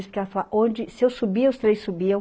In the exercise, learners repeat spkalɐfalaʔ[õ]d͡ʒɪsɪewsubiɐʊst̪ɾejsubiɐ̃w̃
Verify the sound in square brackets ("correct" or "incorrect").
correct